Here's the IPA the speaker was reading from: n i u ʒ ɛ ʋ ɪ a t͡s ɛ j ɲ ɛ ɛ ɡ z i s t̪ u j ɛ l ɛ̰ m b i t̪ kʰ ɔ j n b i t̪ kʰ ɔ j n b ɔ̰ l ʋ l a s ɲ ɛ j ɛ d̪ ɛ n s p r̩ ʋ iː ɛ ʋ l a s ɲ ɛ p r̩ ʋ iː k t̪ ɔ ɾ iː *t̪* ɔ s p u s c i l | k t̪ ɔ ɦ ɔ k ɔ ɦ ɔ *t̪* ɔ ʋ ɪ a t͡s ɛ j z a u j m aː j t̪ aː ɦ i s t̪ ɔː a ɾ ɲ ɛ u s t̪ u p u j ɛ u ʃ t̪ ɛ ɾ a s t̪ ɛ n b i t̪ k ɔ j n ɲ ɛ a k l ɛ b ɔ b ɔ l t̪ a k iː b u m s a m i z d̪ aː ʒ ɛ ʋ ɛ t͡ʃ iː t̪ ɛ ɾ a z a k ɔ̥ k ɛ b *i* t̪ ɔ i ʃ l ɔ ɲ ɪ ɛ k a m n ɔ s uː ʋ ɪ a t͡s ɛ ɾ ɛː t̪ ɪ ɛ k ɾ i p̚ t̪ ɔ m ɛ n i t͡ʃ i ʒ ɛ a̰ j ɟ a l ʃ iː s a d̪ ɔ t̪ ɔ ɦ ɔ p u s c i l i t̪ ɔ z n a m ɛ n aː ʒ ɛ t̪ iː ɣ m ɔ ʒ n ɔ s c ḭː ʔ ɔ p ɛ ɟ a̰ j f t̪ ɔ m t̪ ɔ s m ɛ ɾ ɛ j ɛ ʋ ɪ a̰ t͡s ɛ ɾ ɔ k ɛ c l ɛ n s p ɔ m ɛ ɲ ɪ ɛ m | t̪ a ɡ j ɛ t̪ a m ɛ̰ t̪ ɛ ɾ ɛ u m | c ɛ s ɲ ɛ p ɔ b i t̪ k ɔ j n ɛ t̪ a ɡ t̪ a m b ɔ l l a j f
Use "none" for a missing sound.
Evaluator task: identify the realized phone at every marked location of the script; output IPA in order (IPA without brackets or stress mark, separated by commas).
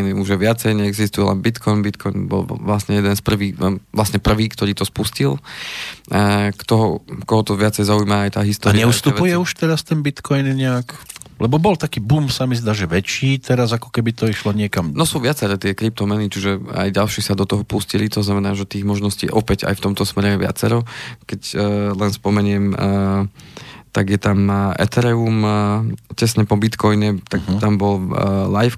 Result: t̪, t̪, i